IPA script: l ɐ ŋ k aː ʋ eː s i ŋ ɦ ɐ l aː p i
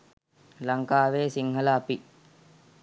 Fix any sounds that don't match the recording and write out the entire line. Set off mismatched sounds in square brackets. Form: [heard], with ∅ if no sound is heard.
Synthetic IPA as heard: l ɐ ŋ k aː ʋ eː s i ŋ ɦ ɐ l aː p i